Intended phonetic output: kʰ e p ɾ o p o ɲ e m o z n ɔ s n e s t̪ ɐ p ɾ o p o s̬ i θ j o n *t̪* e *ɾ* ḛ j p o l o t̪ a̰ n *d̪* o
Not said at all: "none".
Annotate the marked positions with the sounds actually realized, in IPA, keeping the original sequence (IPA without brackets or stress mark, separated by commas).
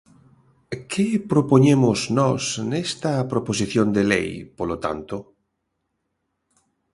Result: d̪, l, t̪